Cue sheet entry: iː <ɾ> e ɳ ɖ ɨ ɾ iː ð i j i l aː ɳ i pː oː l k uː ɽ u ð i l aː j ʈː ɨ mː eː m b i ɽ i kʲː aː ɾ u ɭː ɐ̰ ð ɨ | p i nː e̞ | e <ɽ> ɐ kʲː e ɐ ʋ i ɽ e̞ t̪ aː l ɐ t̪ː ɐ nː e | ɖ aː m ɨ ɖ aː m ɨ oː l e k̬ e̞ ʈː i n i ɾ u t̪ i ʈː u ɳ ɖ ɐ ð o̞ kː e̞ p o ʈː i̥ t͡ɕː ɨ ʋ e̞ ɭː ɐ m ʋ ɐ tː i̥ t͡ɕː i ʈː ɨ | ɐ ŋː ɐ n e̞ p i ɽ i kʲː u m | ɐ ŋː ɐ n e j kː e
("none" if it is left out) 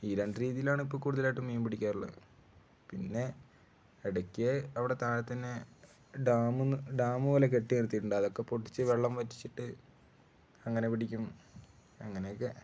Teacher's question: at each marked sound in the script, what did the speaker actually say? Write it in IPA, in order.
ɾ, ɽ

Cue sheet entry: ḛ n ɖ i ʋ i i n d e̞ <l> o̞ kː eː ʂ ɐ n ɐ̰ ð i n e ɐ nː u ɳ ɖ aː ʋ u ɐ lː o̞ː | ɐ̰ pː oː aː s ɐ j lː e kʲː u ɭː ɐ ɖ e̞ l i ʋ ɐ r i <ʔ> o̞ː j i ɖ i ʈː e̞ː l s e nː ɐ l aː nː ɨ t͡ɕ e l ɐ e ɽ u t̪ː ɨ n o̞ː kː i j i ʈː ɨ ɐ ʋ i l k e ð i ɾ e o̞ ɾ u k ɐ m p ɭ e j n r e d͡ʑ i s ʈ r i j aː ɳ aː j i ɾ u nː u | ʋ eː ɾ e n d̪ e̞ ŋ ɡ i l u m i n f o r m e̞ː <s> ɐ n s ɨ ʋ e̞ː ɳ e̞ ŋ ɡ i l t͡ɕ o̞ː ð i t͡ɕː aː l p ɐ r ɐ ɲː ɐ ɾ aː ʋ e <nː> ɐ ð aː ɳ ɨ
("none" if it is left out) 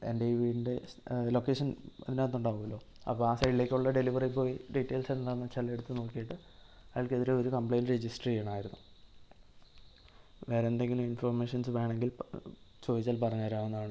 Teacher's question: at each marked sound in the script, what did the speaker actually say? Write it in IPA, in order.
l, p, ʂ, nː

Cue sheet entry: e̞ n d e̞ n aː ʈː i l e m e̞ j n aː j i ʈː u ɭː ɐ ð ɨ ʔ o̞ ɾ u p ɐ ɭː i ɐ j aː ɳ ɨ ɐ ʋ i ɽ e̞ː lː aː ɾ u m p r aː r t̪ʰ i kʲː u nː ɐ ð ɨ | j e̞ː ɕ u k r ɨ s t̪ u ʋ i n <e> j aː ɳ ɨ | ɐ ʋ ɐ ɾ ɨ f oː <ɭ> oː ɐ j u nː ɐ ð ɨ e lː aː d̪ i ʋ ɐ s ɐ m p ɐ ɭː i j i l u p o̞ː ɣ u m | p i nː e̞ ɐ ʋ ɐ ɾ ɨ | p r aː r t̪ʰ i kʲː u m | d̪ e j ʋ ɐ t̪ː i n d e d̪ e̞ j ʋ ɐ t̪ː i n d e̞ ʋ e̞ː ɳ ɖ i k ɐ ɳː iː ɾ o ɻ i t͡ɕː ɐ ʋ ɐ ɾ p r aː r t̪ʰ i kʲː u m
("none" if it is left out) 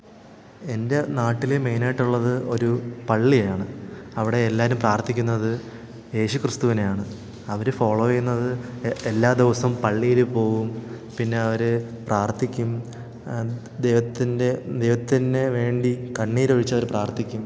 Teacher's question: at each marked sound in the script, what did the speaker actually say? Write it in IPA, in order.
e, ɭ

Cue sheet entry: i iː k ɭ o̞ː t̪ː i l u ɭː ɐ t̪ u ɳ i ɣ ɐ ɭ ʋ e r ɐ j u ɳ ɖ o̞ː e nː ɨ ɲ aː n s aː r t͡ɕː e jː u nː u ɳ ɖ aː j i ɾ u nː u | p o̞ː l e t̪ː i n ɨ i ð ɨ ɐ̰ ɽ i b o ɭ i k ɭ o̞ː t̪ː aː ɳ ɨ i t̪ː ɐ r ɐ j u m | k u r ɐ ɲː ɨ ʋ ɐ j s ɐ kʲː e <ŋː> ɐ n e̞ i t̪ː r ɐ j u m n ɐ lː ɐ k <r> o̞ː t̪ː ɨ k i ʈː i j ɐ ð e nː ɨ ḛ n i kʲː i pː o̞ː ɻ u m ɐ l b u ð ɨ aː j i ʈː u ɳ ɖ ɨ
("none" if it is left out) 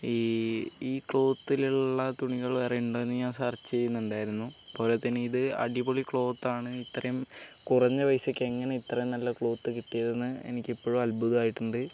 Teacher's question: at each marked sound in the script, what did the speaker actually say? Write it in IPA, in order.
ŋː, ɭ

